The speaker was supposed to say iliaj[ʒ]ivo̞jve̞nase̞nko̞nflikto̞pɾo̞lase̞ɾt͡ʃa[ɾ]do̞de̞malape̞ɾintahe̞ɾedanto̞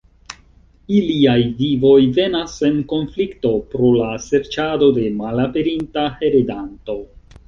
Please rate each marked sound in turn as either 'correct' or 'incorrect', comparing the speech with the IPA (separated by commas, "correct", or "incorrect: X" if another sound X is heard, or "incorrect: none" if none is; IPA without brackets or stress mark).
incorrect: v, incorrect: none